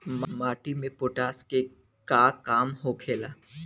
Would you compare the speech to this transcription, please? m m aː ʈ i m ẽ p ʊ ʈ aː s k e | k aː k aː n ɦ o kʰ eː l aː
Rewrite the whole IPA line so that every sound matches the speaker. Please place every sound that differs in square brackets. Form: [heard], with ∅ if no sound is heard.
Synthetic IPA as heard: m m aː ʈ i m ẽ p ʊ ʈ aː s k e | k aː k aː [m] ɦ o kʰ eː l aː